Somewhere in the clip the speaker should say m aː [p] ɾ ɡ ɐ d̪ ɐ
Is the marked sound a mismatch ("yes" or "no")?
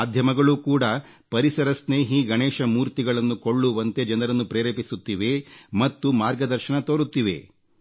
yes